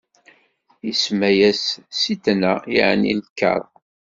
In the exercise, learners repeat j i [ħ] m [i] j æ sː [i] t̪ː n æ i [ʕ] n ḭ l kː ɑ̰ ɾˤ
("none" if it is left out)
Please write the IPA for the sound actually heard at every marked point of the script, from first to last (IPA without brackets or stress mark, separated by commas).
s, æ, i, ʕ